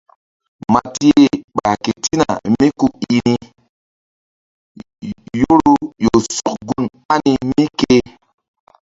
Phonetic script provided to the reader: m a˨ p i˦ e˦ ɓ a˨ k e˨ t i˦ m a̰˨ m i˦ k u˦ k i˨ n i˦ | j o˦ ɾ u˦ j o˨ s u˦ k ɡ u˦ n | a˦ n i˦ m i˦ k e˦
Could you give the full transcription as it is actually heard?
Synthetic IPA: m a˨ t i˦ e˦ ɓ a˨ k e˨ t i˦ n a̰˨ m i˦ k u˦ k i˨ n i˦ | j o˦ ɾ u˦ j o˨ s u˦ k ɡ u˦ n | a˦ n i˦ m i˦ k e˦